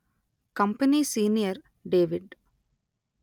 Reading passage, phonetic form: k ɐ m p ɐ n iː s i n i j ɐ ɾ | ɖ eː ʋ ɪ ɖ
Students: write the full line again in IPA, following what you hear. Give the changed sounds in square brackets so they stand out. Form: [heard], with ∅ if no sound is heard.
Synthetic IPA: k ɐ m p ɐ n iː s [iː] n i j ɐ ɾ | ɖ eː ʋ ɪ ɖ